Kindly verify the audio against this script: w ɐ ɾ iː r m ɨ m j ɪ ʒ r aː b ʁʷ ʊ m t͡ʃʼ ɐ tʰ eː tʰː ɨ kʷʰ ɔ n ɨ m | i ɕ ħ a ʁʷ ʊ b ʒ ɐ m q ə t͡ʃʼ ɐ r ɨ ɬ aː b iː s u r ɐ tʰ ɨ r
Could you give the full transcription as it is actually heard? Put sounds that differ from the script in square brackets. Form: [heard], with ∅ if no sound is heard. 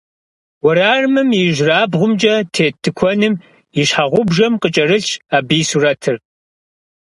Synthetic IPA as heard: w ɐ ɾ [aː] r m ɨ m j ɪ ʒ r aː b ʁʷ ʊ m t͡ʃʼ ɐ tʰ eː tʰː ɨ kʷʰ ɔ n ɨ m | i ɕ ħ a ʁʷ ʊ b ʒ ɐ m q ə t͡ʃʼ ɐ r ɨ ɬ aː b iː s u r ɐ tʰ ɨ r